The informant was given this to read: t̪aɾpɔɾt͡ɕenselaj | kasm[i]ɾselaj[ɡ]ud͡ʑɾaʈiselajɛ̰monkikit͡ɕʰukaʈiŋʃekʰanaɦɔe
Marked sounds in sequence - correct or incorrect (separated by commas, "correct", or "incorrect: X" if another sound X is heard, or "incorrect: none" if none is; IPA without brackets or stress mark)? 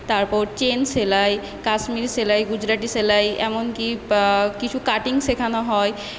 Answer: correct, correct